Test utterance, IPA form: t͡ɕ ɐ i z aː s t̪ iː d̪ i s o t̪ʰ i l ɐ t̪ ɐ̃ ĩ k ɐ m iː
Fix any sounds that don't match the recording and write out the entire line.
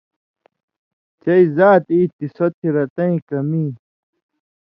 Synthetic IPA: t͡ɕ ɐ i z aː t̪ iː t̪ i s o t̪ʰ i ɾ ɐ t̪ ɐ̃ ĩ k ɐ m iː